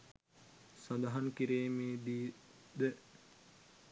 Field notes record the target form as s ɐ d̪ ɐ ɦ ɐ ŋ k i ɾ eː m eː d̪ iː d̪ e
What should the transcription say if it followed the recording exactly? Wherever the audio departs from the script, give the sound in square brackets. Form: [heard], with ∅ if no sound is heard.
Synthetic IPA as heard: s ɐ d̪ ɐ ɦ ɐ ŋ k i ɾ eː m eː d̪ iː d̪ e